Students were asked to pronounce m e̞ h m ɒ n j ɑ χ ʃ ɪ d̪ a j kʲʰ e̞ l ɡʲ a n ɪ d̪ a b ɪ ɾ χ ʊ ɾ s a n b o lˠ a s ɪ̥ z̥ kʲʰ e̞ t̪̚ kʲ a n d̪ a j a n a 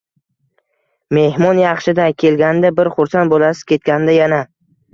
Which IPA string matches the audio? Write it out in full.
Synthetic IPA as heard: m e̞ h m ɒ n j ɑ χ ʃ ɪ d̪ a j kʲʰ e̞ l ɡʲ a n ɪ d̪ a b ɪ ɾ χ ʊ ɾ s a n b o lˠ a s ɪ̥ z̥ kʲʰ e̞ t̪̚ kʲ a n d̪ a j a n a